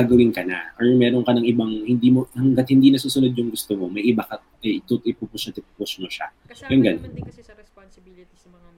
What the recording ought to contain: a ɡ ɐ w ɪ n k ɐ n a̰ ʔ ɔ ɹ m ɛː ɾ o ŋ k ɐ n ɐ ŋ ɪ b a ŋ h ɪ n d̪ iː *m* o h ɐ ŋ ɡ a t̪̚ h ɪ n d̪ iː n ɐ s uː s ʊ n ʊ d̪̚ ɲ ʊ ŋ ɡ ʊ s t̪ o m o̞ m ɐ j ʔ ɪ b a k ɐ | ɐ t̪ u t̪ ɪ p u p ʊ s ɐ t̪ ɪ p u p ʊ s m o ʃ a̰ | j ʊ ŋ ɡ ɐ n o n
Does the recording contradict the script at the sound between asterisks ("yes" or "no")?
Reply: no